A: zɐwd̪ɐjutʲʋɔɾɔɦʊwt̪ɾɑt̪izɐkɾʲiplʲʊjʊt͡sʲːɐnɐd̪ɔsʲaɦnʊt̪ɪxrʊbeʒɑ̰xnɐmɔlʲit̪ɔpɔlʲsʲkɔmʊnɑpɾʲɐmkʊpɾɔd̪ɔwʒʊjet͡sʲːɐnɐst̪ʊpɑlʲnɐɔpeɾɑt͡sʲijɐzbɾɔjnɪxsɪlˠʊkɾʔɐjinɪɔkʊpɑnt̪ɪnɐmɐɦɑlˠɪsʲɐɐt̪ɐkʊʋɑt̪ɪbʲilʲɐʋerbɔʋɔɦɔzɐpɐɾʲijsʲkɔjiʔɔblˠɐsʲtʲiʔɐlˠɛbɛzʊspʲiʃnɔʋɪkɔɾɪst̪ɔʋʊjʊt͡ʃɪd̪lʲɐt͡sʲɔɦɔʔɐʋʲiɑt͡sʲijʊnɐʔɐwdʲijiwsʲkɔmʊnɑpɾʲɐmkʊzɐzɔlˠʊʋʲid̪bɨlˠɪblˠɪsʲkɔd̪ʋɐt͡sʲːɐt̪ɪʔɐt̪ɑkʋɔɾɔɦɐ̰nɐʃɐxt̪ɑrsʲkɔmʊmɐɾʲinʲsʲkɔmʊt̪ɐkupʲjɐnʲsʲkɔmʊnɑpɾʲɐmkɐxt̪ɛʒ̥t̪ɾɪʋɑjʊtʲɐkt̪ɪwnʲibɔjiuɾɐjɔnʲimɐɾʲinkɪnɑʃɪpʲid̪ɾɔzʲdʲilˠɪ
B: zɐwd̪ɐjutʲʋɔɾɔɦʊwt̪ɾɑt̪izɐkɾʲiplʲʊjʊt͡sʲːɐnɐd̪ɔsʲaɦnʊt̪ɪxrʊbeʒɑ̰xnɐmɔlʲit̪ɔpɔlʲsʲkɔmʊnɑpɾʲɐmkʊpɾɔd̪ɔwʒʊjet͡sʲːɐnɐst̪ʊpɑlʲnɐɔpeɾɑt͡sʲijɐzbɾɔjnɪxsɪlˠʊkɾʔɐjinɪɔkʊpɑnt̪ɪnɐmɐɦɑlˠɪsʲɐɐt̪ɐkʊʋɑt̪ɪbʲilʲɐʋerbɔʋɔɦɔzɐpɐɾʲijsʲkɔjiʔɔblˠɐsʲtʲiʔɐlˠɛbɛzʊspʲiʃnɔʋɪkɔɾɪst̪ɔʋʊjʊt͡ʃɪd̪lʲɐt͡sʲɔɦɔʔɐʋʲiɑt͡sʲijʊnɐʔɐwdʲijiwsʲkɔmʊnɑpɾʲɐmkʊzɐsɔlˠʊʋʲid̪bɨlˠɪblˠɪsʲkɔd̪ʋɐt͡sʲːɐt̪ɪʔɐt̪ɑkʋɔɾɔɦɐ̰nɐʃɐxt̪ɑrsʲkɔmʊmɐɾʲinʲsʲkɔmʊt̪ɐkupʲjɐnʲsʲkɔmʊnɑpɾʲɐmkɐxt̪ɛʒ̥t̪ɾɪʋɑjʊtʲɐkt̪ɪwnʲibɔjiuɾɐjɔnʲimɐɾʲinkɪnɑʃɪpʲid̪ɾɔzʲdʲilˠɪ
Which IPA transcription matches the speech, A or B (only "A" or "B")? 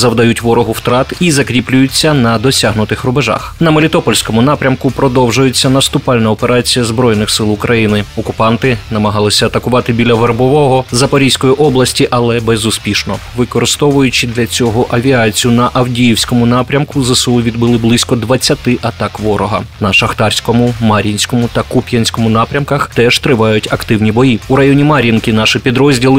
B